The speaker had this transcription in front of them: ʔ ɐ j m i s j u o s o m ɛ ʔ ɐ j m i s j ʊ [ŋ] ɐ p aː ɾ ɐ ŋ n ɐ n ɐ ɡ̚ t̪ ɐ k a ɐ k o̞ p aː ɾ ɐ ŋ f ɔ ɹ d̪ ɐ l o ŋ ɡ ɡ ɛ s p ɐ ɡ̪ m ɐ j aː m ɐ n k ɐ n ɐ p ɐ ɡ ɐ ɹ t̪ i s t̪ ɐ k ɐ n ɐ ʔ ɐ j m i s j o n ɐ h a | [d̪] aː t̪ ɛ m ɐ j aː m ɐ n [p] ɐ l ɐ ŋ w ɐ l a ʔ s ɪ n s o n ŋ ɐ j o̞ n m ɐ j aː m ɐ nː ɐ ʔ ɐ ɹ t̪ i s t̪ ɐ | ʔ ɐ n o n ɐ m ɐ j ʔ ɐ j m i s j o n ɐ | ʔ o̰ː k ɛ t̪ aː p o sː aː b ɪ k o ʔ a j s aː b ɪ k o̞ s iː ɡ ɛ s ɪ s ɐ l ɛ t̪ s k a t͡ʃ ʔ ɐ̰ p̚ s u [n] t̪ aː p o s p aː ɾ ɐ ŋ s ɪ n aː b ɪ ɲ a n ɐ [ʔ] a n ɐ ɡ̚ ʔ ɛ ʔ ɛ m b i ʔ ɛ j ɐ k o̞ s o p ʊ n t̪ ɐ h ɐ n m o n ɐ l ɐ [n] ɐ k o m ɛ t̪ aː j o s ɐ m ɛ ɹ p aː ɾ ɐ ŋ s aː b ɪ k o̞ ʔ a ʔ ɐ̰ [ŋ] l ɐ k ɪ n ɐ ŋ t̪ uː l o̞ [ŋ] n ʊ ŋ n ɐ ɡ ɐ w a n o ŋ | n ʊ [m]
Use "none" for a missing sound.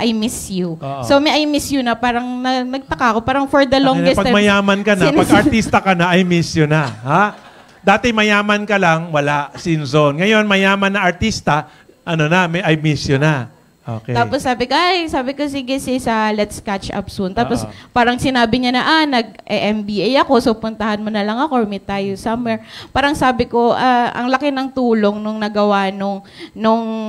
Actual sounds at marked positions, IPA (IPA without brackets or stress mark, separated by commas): n, d̪, k, n, ʔ, ŋ, ŋ, ŋ, ŋ